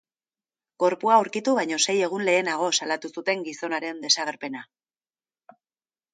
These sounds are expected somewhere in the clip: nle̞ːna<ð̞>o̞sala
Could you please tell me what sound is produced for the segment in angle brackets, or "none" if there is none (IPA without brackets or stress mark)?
ɣ̞